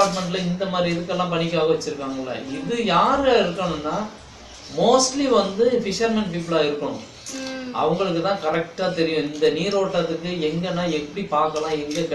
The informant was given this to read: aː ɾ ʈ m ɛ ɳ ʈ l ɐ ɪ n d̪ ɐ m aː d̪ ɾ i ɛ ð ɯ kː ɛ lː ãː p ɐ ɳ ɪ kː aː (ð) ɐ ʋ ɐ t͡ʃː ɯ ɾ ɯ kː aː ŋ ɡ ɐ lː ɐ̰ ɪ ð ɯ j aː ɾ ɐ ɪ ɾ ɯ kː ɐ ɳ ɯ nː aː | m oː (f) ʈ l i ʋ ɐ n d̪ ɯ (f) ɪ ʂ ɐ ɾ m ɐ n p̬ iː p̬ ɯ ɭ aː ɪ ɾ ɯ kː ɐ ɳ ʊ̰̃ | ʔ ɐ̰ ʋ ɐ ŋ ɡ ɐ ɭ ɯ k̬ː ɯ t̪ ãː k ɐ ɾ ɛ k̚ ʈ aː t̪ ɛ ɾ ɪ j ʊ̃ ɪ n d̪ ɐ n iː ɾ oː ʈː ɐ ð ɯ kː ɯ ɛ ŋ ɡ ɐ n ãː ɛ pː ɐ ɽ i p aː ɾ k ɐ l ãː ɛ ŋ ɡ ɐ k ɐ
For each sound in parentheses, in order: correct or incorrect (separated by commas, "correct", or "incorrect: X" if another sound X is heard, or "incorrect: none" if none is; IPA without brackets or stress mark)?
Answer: incorrect: ɣ, incorrect: s, correct